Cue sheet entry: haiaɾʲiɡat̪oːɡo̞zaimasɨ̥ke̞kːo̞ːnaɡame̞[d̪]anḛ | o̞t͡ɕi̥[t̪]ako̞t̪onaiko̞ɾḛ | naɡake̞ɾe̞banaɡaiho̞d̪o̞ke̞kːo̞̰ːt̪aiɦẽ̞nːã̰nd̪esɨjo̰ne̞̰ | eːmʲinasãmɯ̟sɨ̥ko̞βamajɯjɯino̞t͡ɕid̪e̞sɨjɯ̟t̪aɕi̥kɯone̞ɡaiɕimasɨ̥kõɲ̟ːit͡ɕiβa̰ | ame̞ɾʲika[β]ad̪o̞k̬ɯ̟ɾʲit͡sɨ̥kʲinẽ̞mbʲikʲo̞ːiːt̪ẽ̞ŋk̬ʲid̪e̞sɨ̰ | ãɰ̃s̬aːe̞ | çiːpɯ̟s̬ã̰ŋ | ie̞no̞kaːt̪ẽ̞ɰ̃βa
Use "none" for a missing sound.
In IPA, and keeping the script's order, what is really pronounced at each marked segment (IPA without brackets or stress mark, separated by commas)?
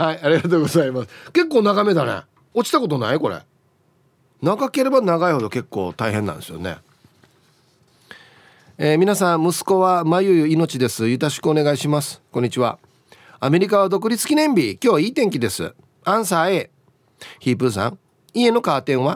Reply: d̪, t̪, β